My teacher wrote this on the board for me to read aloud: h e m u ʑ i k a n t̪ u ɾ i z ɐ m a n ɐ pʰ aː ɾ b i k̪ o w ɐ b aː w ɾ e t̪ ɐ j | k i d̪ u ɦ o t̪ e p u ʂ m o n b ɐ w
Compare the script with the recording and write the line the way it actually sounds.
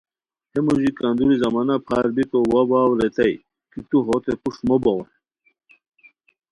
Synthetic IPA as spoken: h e m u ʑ i k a n d̪ u ɾ i z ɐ m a n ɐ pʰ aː ɾ b i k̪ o w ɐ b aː w ɾ e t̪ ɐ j | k i t̪ u ɦ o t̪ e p u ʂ m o b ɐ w

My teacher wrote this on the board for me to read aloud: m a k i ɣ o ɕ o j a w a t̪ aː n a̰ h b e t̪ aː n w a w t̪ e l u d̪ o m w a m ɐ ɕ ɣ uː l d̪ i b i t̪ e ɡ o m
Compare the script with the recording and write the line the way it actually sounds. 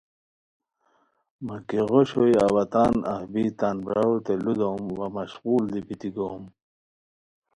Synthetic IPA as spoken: m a k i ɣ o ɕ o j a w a t̪ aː n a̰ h b i t̪ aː n b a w t̪ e l u d̪ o m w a m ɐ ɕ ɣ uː l d̪ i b i t̪ i ɡ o m

